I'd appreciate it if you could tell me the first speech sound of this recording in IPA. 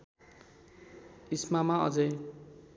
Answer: i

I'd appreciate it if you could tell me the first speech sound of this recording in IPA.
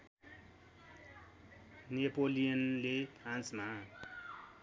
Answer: n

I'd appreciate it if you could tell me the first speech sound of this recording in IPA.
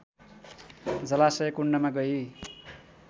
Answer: d͡z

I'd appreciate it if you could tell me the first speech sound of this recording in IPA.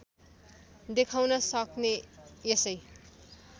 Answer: d̪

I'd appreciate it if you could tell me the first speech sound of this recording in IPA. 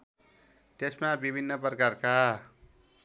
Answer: t̪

